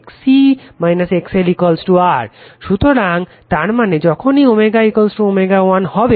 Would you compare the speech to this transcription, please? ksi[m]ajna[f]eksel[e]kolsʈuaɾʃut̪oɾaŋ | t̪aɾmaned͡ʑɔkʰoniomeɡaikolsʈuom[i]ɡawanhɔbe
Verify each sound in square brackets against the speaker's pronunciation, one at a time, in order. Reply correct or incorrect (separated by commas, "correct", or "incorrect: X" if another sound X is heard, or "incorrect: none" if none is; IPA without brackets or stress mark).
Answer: correct, incorrect: s, incorrect: i, incorrect: e